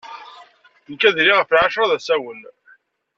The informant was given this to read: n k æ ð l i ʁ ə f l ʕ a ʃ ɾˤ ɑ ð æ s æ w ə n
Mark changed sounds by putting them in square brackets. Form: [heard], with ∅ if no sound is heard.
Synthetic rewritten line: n k æ ð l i ʁ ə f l ʕ a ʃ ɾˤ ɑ ð æ s æ w ə n